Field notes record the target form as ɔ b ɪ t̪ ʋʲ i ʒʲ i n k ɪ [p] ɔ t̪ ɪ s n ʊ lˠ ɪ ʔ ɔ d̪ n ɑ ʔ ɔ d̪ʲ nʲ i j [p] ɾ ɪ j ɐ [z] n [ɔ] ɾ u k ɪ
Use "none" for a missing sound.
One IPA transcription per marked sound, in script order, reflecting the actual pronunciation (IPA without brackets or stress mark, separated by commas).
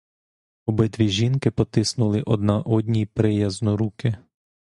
p, p, z, ɔ